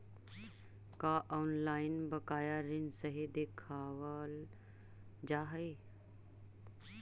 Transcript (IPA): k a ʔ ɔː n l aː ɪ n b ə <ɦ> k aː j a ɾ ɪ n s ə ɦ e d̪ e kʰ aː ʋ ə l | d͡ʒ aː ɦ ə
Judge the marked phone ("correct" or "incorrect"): incorrect